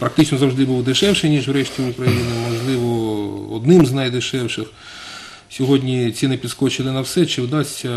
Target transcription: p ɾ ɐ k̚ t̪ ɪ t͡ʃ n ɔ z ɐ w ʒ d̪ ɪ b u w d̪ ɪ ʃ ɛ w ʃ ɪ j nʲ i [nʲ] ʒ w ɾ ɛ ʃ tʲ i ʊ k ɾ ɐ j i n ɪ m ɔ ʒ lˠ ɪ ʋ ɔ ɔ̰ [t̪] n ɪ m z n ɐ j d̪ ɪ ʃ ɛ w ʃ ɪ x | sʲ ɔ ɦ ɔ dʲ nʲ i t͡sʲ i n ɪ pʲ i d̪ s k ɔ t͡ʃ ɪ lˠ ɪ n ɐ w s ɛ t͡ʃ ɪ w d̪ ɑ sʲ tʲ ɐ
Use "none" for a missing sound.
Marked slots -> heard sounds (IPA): none, d̪

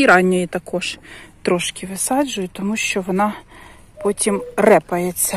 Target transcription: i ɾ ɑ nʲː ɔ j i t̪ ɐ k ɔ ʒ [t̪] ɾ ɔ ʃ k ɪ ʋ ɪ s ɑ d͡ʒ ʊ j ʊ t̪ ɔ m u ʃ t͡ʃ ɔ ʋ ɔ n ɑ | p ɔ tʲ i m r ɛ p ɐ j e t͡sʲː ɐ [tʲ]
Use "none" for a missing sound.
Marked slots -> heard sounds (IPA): t̪, none

